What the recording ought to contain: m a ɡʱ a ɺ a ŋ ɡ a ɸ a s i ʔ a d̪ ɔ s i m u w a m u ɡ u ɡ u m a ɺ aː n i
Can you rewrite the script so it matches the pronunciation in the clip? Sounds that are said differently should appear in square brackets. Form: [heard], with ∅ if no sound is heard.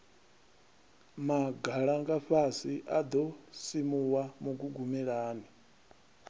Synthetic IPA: m a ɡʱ a ɺ a ŋ ɡ a ɸ a s i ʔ a d̪ ɔ s i m u w a m u ɡ u ɡ u m [ɛ] ɺ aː n i